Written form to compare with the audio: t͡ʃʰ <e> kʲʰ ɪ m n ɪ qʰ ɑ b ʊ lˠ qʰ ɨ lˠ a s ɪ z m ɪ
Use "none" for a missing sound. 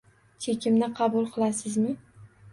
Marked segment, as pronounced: e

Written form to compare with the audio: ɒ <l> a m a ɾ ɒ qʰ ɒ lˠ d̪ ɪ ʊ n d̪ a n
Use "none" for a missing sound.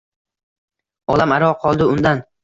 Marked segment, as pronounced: l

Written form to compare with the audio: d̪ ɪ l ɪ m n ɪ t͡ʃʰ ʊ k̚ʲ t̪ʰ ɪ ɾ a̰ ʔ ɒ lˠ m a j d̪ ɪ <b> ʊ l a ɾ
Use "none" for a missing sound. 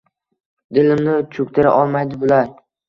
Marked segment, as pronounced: b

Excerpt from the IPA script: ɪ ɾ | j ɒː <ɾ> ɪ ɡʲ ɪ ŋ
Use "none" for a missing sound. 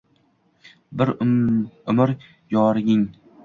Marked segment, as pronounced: ɾ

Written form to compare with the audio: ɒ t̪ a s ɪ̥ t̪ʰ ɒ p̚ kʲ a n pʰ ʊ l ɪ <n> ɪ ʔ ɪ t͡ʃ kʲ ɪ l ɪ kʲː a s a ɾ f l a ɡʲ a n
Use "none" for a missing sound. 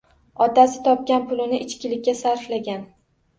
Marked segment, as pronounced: n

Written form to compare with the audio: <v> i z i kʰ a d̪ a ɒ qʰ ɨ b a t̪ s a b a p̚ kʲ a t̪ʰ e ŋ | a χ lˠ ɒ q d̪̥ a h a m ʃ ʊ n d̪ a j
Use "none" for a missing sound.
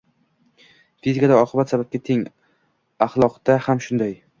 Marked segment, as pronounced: f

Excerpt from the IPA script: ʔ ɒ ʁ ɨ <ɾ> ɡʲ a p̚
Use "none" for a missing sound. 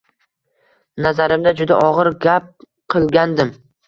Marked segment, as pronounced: ɾ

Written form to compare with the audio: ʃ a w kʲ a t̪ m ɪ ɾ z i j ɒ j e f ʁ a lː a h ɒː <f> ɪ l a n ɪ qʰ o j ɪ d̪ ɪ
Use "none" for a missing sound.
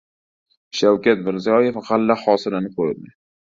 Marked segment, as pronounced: s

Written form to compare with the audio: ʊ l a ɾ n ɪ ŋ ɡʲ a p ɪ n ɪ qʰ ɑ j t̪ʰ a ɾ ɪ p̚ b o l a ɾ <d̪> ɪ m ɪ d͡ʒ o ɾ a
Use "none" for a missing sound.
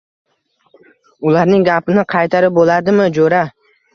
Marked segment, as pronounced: d̪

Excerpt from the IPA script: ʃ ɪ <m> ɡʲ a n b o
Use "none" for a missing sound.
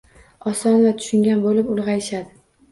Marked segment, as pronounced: ŋ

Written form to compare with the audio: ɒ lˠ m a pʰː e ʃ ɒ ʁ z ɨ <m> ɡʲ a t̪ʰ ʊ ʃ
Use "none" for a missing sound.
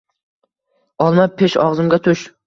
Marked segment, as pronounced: m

